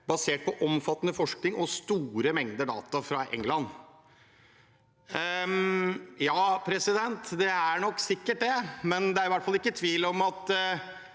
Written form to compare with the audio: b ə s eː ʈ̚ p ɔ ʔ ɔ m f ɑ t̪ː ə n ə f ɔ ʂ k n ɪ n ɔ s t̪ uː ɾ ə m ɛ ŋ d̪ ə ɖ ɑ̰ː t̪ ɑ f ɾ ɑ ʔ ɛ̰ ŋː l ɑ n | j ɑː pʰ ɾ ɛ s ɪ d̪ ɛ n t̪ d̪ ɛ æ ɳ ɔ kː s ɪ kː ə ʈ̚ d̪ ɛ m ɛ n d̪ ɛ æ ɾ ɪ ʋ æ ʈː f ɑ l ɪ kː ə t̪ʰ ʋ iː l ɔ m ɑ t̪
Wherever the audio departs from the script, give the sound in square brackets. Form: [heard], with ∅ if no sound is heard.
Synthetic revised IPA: b [ɑ] s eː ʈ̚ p ɔ ʔ ɔ m f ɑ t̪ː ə n ə f ɔ ʂ k n ɪ [ŋ] ɔ s t̪ uː ɾ ə m ɛ ŋ d̪ ə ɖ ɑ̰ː t̪ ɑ f ɾ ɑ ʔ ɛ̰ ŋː l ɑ n | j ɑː pʰ ɾ ɛ s ɪ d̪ ɛ n t̪ d̪ ɛ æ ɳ ɔ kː s ɪ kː ə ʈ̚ d̪ ɛ m ɛ n d̪ ɛ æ ɾ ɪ ʋ æ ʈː f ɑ l ɪ kː ə t̪ʰ ʋ iː l ɔ m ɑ t̪

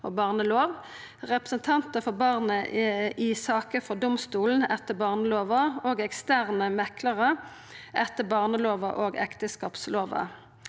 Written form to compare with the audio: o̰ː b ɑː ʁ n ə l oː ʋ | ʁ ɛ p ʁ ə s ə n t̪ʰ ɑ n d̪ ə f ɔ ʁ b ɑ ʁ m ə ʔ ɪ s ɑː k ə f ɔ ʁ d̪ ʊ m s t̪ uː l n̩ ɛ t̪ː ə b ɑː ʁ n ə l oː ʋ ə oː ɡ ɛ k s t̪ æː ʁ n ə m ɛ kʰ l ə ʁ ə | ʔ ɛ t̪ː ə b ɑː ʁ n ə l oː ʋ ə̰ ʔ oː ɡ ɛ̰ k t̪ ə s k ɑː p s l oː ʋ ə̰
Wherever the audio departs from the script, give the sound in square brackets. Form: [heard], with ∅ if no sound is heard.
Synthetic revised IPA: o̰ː b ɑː ʁ n ə l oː ʋ | ʁ ɛ p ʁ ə s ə n t̪ʰ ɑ n [t̪] ə f ɔ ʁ b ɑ ʁ [n] ə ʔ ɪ s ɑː k ə f ɔ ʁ d̪ ʊ m s t̪ uː l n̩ ɛ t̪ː ə b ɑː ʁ n ə l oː ʋ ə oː ɡ ɛ k s t̪ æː ʁ n ə m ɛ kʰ l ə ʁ ə | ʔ ɛ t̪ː ə b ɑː ʁ n ə l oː ʋ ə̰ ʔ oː ɡ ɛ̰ k t̪ ə s k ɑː p s l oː ʋ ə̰

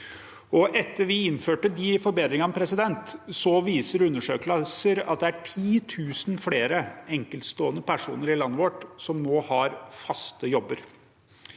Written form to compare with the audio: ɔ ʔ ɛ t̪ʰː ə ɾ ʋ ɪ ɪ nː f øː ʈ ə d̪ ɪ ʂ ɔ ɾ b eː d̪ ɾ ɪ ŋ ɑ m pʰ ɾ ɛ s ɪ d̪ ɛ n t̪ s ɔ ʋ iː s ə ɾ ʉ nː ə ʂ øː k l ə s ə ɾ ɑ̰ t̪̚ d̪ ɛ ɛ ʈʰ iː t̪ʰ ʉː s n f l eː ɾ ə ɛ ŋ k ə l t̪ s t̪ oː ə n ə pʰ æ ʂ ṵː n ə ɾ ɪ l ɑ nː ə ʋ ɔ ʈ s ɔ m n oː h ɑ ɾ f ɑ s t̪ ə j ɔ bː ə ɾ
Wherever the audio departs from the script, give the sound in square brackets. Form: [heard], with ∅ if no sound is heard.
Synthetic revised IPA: ɔ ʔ ɛ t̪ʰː ə ɾ ʋ ɪ ɪ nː f øː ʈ ə d̪ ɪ [f] ɔ ɾ b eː d̪ ɾ ɪ ŋ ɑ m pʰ ɾ ɛ s ɪ d̪ ɛ n t̪ s ɔ ʋ iː s ə ɾ ʉ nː ə ʂ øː k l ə s ə ɾ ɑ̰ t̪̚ d̪ ɛ [æ] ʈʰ iː t̪ʰ ʉː s n f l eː ɾ ə ɛ ŋ k ə l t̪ s t̪ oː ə n ə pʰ æ ʂ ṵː n ə ɾ ɪ l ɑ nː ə ʋ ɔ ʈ s ɔ m n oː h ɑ ɾ f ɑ s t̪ ə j ɔ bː ə ɾ

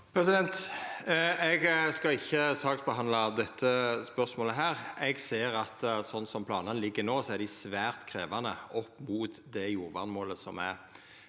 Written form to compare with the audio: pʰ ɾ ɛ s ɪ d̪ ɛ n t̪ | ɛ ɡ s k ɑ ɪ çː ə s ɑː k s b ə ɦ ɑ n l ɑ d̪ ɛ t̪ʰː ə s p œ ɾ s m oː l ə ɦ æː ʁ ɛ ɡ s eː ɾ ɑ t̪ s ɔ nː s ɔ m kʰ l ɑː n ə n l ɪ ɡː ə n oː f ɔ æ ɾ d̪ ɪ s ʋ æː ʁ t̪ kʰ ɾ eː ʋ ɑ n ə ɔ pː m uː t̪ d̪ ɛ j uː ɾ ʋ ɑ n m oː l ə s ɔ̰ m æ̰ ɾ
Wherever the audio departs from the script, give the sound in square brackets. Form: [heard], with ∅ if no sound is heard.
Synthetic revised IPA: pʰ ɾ ɛ s ɪ d̪ ɛ n t̪ | ɛ ɡ s k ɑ ɪ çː ə s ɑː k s b ə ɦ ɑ n l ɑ d̪ ɛ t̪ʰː ə s p œ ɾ s m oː l ə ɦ æː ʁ ɛ ɡ s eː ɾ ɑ t̪ s ɔ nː s ɔ m [pʰ] l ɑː n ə n l ɪ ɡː ə n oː [s] ɔ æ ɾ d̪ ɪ s ʋ æː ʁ t̪ kʰ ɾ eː ʋ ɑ n ə ɔ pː m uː t̪ d̪ ɛ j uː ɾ ʋ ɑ n m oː l ə s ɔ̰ m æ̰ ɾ

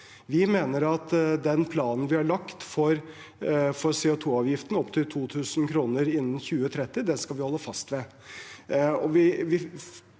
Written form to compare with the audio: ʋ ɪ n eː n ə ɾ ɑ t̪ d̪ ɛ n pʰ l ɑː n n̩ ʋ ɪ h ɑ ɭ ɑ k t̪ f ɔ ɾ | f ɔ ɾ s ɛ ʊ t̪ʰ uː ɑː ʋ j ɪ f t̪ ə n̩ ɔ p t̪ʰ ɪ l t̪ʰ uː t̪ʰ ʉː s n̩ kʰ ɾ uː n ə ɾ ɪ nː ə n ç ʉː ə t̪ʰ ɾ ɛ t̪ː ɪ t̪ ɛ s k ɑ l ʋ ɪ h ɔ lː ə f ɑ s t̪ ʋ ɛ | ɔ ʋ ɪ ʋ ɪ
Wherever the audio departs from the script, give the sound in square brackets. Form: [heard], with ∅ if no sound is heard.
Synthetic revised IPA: ʋ ɪ [m] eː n ə ɾ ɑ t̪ d̪ ɛ n pʰ l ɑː n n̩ ʋ ɪ h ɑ ɭ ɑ k t̪ f ɔ ɾ | f ɔ ɾ s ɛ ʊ t̪ʰ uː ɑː ʋ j ɪ f t̪ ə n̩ ɔ p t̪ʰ ɪ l t̪ʰ uː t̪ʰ ʉː s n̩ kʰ ɾ uː n ə ɾ ɪ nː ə n ç ʉː ə t̪ʰ ɾ ɛ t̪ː ɪ [d̪] ɛ s k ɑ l ʋ ɪ h ɔ lː ə f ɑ s t̪ ʋ ɛ | ɔ ʋ ɪ ʋ ɪ

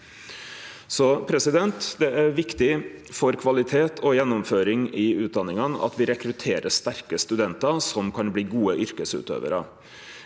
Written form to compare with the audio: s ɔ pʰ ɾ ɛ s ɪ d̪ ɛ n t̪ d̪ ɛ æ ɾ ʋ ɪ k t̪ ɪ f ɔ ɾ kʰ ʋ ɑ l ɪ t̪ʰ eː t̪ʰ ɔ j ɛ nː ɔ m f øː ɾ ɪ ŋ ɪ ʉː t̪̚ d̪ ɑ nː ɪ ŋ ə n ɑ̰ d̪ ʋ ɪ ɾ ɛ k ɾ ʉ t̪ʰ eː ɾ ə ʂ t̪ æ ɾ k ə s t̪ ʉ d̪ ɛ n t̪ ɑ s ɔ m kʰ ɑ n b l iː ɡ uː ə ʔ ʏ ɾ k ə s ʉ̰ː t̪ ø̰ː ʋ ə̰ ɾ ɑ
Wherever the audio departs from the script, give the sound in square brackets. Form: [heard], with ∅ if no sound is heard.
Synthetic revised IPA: s ɔ pʰ ɾ ɛ s ɪ d̪ ɛ n t̪ d̪ ɛ æ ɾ ʋ ɪ k t̪ ɪ f ɔ ɾ kʰ ʋ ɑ l ɪ t̪ʰ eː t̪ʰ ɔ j ɛ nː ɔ m f øː ɾ ɪ ŋ ɪ ʉː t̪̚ d̪ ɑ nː ɪ ŋ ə n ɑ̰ [t̪] ʋ ɪ ɾ ɛ k ɾ ʉ t̪ʰ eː ɾ ə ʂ t̪ æ ɾ k ə s t̪ ʉ d̪ ɛ n t̪ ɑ s ɔ m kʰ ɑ n b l iː ɡ uː ə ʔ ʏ ɾ k ə s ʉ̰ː t̪ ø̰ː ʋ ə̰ ɾ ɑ

